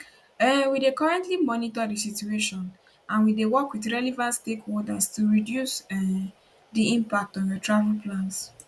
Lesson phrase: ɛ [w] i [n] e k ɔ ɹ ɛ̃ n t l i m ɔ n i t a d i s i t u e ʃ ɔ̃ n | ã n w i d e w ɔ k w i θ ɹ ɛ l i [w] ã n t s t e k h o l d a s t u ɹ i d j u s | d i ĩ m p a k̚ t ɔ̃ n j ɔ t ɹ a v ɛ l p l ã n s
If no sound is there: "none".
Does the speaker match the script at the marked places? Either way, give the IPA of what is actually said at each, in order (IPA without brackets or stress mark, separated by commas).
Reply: w, d, v